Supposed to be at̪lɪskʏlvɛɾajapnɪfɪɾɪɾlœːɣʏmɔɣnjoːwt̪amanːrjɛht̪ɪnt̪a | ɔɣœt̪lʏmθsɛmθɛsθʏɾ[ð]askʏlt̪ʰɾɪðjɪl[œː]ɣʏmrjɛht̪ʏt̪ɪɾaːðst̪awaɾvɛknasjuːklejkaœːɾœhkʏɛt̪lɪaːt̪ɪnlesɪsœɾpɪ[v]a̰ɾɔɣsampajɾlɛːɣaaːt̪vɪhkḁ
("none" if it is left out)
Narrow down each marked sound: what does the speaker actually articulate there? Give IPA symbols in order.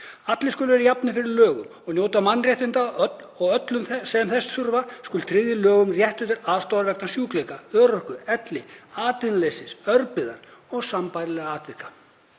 v, œː, ð

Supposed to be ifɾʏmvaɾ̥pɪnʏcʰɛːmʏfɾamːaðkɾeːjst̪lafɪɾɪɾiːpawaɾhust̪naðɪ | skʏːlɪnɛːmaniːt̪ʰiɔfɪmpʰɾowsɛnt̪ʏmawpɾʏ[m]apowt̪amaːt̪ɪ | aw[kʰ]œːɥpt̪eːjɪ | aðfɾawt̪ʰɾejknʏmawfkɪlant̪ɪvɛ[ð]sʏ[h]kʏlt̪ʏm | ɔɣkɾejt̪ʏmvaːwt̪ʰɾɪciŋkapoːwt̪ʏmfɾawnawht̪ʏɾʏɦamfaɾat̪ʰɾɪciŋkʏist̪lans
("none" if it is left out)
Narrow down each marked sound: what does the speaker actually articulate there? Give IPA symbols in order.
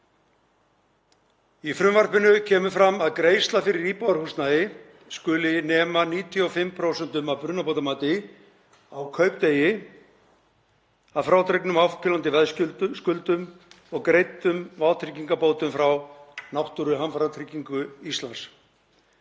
n, kʰ, ð, s

